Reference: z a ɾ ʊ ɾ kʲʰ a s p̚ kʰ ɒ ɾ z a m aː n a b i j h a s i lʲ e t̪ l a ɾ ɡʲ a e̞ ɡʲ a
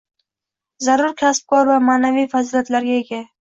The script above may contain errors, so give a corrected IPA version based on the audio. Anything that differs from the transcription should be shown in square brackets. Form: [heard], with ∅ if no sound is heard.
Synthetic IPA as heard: z a ɾ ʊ ɾ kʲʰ a s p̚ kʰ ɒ ɾ [v] a m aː n a [v] i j [f] a [z] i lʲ [a] t̪ l a ɾ ɡʲ a e̞ ɡʲ a